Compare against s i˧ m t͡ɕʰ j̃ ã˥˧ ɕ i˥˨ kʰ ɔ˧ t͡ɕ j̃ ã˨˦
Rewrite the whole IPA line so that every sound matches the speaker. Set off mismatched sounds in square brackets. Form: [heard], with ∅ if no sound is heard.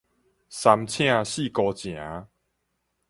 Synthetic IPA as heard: s [a˧] m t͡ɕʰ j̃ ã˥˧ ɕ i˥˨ [k] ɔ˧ t͡ɕ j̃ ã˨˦